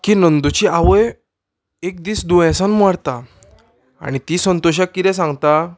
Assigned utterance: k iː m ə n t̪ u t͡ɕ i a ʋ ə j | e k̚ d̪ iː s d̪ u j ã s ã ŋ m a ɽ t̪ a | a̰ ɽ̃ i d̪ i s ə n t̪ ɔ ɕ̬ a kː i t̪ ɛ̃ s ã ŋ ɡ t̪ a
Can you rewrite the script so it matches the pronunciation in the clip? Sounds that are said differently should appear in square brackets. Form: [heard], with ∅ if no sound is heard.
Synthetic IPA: k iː [n] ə n [d̪] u t͡ɕ i a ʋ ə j | e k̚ d̪ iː s d̪ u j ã s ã [n] m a ɽ t̪ a | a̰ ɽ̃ i [t̪] i s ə n t̪ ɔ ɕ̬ a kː i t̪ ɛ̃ s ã ŋ ɡ t̪ a